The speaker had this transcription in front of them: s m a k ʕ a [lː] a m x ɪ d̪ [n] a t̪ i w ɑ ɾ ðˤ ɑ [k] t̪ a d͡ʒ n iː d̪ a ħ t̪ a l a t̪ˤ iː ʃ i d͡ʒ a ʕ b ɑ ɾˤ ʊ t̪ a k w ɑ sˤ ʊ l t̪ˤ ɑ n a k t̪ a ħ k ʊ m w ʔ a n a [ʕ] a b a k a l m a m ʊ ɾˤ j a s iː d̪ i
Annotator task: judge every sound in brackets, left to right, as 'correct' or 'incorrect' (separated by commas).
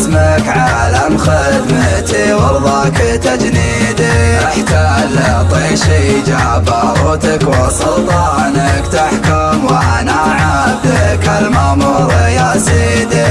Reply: incorrect, incorrect, correct, correct